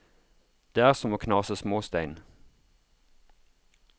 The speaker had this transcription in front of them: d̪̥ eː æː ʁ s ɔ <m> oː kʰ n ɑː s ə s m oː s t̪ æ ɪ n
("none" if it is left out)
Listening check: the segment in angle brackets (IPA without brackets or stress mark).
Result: m